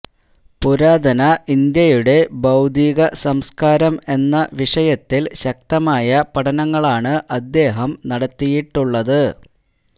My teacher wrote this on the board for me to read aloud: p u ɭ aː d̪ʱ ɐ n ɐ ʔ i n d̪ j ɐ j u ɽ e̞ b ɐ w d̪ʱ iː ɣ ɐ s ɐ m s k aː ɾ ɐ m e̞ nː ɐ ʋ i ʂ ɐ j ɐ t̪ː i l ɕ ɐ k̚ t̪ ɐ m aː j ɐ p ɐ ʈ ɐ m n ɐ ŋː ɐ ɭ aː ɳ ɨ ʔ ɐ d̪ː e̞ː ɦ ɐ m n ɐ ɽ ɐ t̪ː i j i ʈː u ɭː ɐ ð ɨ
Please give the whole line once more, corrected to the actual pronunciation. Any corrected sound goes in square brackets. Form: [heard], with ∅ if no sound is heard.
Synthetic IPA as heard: p u [ɾ] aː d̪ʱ ɐ n ɐ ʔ i n d̪ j ɐ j u ɽ e̞ b ɐ w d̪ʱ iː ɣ ɐ s ɐ m s k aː ɾ ɐ m e̞ nː ɐ ʋ i ʂ ɐ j ɐ t̪ː i l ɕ ɐ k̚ t̪ ɐ m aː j ɐ p ɐ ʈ ɐ [∅] n ɐ ŋː ɐ ɭ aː ɳ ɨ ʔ ɐ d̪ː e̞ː ɦ ɐ m n ɐ ɽ ɐ t̪ː i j i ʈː u ɭː ɐ ð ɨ

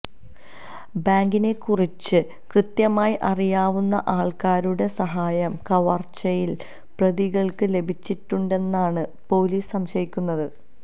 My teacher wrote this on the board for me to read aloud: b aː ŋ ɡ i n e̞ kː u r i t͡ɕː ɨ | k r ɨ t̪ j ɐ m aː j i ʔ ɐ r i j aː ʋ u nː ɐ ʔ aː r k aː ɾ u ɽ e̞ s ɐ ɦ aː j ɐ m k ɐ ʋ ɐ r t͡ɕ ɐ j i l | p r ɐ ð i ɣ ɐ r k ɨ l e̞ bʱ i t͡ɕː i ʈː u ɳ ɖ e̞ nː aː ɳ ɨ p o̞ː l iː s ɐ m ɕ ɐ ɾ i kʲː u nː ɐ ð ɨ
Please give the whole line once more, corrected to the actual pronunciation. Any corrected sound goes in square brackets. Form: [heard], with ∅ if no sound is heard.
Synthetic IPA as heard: b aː ŋ ɡ i n e̞ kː u r i t͡ɕː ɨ | k r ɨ t̪ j ɐ m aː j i ʔ ɐ r i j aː ʋ u nː ɐ ʔ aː [ɭ] k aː ɾ u ɽ e̞ s ɐ ɦ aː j ɐ m k ɐ ʋ ɐ r t͡ɕ ɐ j i l | p r ɐ ð i ɣ ɐ [ɭ] k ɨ l e̞ bʱ i t͡ɕː i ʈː u ɳ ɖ e̞ nː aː ɳ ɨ p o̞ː l iː s ɐ m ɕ ɐ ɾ i kʲː u nː ɐ ð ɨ

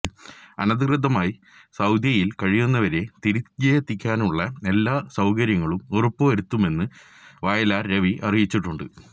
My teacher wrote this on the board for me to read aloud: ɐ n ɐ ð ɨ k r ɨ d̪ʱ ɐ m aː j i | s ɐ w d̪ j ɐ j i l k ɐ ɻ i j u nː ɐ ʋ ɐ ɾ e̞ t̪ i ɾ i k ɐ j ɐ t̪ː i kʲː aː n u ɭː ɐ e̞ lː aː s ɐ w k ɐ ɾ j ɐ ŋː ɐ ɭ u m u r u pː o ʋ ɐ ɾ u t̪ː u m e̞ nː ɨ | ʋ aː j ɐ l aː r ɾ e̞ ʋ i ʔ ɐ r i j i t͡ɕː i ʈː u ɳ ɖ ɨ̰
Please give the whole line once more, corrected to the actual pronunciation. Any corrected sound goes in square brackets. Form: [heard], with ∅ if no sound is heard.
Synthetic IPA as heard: ɐ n ɐ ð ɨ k r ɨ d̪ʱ ɐ m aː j i | s ɐ w d̪ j ɐ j i l k ɐ ɻ i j u nː ɐ ʋ ɐ ɾ e̞ t̪ i ɾ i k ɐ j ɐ t̪ː i kʲː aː n u ɭː ɐ e̞ lː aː s ɐ w k ɐ ɾ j ɐ ŋː ɐ ɭ u m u r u pː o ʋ ɐ ɾ u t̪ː u m e̞ nː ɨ | ʋ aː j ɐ l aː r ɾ e̞ ʋ i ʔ ɐ r i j i t͡ɕː i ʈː u ɳ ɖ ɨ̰

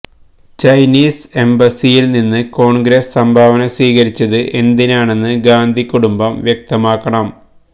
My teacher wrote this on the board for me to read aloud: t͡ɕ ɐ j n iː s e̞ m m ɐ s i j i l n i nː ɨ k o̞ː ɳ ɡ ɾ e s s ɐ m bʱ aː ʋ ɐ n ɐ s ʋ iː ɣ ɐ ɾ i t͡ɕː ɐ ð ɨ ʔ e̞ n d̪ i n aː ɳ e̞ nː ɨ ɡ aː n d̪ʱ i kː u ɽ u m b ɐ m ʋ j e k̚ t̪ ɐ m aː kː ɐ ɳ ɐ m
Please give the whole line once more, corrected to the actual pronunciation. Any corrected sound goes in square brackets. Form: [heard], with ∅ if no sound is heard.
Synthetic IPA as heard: t͡ɕ ɐ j n iː s e̞ m [b] ɐ s i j i l n i nː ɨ k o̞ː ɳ ɡ ɾ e s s ɐ m bʱ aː ʋ ɐ n ɐ s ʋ iː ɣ ɐ ɾ i t͡ɕː ɐ ð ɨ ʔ e̞ n d̪ i n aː ɳ e̞ nː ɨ ɡ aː n d̪ʱ i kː u ɽ u m b ɐ m ʋ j e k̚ t̪ ɐ m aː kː ɐ ɳ ɐ m

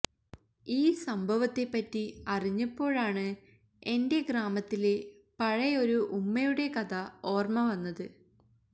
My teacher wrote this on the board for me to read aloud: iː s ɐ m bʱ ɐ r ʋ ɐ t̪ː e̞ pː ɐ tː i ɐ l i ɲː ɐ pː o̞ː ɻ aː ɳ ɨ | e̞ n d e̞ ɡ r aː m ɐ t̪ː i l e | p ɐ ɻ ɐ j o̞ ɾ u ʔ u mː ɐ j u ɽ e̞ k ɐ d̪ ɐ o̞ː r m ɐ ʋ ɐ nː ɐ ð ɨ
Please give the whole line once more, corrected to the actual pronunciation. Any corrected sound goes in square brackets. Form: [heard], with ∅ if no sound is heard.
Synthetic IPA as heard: iː s ɐ m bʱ ɐ [∅] ʋ ɐ t̪ː e̞ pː ɐ tː i ɐ [r] i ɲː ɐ pː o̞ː ɻ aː ɳ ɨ | e̞ n d e̞ ɡ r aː m ɐ t̪ː i l e | p ɐ ɻ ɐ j o̞ ɾ u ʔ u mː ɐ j u ɽ e̞ k ɐ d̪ ɐ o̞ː r m ɐ ʋ ɐ nː ɐ ð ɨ

